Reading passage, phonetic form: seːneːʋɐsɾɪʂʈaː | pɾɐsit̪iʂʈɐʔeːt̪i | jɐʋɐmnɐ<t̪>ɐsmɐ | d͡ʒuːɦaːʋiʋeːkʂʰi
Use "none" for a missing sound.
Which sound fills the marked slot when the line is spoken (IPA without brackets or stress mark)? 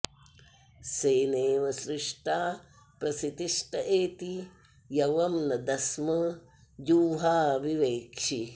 d̪